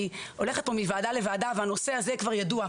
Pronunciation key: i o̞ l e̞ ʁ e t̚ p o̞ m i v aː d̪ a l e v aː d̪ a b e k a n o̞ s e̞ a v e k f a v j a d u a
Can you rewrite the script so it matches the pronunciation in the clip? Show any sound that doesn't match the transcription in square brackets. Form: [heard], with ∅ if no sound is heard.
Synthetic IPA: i o̞ l e̞ [χ] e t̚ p o̞ m i v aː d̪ a l e v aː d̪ a [v] e [∅] a n o̞ s e̞ a [z] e k [v] a [ʁ] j a d u a